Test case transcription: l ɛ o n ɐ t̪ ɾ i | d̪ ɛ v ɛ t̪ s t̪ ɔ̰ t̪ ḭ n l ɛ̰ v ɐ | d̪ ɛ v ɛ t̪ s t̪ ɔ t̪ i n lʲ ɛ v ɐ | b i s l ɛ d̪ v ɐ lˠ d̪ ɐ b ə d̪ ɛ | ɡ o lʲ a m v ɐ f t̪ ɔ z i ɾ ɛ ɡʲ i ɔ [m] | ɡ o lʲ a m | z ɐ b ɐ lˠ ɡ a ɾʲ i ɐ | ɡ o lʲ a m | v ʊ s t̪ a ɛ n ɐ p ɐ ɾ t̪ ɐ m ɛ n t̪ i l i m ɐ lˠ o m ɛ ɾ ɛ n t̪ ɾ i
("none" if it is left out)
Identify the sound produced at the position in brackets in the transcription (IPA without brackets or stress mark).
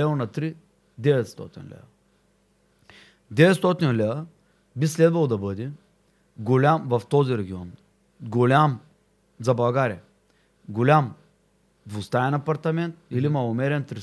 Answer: n